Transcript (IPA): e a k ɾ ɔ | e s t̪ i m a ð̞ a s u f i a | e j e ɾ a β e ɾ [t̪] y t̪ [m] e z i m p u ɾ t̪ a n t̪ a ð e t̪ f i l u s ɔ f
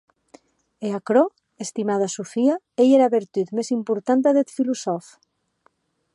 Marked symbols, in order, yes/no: yes, yes

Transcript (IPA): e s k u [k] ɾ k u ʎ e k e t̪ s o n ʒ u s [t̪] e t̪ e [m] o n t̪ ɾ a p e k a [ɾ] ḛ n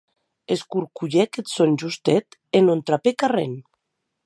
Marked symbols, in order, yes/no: no, yes, no, no

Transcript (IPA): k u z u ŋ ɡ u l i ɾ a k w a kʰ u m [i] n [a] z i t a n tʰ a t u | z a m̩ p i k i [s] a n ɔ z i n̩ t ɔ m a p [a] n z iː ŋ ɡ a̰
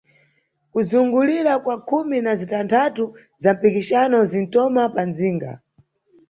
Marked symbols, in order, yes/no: yes, yes, no, yes

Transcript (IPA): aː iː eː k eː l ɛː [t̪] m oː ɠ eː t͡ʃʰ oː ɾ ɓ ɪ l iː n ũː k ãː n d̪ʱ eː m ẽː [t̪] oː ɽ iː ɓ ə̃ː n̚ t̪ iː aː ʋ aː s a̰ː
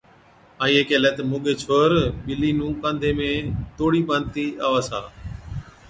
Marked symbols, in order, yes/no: yes, yes

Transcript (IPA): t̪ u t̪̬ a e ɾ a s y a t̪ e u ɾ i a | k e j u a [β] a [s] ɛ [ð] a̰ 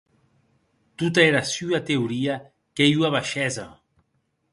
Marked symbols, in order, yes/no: yes, no, no

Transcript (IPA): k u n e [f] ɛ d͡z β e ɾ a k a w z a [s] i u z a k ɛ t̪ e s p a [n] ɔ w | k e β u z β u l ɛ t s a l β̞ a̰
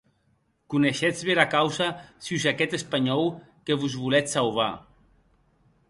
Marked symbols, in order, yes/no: no, yes, no

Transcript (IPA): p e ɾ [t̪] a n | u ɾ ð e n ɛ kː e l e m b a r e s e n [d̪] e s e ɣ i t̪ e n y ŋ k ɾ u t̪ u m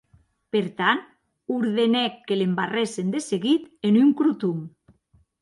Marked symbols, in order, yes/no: yes, yes

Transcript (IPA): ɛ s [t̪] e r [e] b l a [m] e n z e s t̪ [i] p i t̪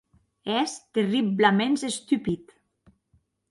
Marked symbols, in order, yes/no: yes, no, yes, no

